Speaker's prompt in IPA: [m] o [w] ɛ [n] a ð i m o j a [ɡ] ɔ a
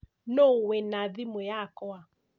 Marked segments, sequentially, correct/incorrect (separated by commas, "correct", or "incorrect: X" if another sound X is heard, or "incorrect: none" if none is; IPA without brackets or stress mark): incorrect: n, correct, correct, incorrect: k